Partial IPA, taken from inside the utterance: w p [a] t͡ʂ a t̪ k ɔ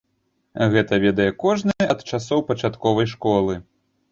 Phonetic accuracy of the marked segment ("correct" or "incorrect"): incorrect